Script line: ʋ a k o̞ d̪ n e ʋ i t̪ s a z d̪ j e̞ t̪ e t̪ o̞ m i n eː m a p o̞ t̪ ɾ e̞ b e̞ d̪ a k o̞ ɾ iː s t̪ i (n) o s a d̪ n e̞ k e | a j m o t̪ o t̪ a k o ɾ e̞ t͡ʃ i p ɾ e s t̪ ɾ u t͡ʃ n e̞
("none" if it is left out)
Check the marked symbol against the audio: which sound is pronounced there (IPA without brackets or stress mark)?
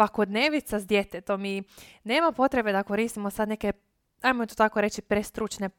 m